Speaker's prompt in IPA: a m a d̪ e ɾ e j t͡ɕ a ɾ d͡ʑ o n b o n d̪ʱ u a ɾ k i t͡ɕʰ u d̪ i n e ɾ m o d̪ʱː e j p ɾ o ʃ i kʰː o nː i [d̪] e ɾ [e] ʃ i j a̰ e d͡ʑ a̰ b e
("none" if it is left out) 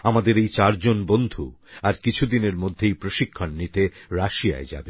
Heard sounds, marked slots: t̪, a

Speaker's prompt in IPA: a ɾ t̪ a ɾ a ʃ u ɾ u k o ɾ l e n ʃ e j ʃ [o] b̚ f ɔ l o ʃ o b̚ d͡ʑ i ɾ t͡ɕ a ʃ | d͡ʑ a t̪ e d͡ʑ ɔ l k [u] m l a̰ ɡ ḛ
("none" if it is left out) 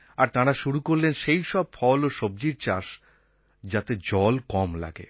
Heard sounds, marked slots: ɔ, ɔ

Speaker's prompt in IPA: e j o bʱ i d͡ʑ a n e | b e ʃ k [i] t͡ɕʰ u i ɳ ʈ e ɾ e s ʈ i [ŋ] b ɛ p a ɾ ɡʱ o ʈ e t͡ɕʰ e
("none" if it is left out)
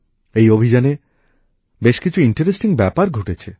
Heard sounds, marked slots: i, ŋ

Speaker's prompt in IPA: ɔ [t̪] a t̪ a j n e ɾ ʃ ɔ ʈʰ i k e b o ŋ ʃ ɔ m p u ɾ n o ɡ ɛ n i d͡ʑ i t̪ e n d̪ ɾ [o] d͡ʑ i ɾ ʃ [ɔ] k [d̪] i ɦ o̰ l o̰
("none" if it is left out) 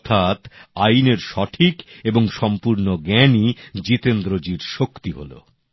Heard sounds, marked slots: t̪ʰ, o, o, t̪

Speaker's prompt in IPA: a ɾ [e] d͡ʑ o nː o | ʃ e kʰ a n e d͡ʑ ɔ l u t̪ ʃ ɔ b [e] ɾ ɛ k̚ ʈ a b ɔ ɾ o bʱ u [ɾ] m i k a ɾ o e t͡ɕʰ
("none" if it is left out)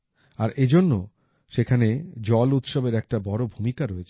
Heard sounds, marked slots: e, e, none

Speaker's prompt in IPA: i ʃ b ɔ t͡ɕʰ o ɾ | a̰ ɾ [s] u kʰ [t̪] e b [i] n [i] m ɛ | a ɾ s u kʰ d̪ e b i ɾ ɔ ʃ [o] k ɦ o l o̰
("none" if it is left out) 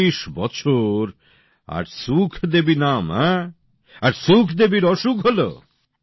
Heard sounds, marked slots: s, d̪, i, a, u

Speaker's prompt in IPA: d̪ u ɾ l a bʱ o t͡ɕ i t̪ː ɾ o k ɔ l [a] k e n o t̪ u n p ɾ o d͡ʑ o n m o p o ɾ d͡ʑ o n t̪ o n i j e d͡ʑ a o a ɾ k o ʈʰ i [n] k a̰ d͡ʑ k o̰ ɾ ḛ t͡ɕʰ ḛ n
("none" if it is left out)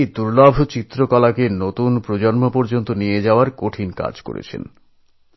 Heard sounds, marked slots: a, n

